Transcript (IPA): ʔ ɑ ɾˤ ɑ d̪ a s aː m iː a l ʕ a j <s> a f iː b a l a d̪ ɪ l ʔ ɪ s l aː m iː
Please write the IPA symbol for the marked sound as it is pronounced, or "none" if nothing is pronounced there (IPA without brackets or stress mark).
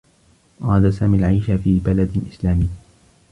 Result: ʃ